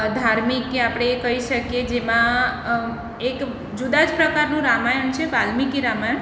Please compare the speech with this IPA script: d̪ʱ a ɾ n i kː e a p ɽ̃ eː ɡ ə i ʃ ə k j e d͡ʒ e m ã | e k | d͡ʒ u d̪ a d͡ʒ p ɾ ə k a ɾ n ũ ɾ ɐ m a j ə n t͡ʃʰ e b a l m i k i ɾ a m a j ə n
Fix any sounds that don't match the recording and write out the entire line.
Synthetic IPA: d̪ʱ a ɾ m i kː e a p ɽ̃ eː k ə i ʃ ə k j e d͡ʒ e m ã | e k | d͡ʒ u d̪ a d͡ʒ p ɾ ə k a ɾ n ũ ɾ a m a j ə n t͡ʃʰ e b a l m i k i ɾ a m a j ə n